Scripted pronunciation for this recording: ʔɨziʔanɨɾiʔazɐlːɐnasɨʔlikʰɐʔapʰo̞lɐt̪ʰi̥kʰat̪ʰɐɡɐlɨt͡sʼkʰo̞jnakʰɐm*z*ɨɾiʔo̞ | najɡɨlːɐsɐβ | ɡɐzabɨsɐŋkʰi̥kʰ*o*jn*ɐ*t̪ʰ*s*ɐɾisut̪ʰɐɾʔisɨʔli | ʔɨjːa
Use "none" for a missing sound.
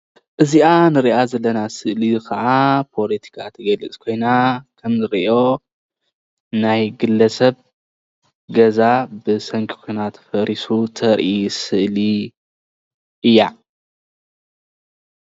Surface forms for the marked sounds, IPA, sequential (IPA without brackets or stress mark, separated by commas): z, o, a, f